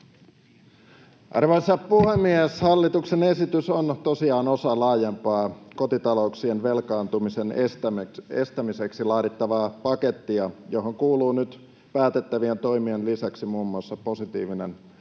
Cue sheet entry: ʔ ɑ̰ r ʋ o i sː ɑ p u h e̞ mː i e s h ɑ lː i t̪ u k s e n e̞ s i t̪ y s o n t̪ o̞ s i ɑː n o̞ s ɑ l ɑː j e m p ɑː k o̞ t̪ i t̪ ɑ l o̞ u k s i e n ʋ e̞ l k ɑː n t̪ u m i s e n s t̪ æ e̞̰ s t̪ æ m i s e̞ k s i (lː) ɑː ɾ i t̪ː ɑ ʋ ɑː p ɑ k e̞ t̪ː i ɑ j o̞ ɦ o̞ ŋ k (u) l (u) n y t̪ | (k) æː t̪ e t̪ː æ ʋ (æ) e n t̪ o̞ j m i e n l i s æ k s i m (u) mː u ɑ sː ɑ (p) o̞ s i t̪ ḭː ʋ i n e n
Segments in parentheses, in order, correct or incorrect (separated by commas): incorrect, incorrect, incorrect, incorrect, incorrect, incorrect, correct